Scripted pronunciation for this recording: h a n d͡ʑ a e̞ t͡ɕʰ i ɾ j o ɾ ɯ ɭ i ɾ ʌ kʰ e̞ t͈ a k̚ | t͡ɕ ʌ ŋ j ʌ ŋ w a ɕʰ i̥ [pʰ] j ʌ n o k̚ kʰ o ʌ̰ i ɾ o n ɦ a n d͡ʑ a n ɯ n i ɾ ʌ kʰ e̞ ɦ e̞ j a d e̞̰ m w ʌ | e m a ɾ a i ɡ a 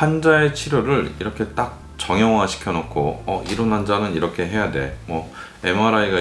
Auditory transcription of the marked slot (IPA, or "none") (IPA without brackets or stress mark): kʰ